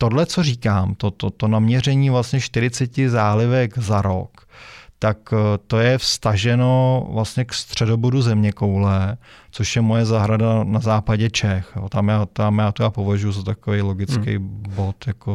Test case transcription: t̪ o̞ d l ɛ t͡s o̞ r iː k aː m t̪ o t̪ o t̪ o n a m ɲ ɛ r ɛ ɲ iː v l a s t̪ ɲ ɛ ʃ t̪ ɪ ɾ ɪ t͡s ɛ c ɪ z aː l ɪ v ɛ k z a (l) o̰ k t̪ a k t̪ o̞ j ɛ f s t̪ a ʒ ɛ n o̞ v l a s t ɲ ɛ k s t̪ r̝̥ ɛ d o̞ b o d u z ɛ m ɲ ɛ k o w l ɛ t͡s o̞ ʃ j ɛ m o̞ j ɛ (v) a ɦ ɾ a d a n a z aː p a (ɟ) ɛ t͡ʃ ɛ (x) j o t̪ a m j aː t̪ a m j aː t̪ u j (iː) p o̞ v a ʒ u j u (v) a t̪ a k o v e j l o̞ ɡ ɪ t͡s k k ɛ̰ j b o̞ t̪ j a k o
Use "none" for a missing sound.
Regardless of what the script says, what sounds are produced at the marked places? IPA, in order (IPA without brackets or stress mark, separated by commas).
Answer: ɾ, z, ɟ, x, aː, z